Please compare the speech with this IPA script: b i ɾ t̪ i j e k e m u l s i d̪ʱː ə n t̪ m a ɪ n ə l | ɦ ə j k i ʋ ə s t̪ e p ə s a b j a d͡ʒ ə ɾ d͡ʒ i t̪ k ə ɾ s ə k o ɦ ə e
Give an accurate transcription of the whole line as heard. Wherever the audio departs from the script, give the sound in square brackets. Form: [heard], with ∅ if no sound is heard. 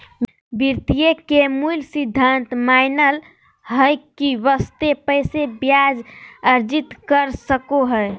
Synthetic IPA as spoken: b i ɾ t̪ i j e k e m u l s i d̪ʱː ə n t̪ m a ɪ n ə l | ɦ ə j k i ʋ ə s t̪ e p ə s [e] b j a d͡ʒ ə ɾ d͡ʒ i t̪ k ə ɾ s ə k o ɦ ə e